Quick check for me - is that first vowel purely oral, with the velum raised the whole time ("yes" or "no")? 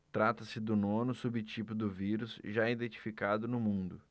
yes